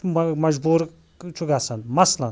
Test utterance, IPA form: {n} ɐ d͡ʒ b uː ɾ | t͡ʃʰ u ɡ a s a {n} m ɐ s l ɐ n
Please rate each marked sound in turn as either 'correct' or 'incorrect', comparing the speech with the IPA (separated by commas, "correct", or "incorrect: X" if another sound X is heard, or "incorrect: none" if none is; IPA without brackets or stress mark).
incorrect: m, correct